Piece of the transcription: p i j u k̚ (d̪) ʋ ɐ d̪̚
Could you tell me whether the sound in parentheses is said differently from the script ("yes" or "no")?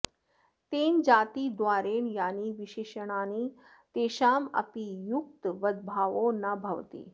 yes